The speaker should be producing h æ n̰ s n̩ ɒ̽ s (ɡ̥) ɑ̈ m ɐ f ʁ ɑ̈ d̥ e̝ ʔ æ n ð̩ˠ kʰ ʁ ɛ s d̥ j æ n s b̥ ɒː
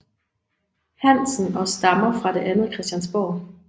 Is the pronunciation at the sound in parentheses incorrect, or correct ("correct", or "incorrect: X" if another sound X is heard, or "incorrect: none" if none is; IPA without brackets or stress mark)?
incorrect: d̥